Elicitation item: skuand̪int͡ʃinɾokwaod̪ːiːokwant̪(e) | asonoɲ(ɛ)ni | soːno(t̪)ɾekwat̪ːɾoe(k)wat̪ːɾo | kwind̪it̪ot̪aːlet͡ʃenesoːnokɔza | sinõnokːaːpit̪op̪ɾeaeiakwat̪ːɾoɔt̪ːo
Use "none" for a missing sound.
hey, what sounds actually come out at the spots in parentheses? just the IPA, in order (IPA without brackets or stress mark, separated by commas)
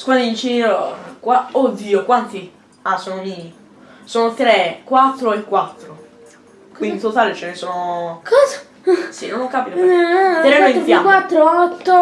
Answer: i, i, t̪, k